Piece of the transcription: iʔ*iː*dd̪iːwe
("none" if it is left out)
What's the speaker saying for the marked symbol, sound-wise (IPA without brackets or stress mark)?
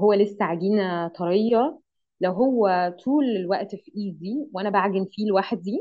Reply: iː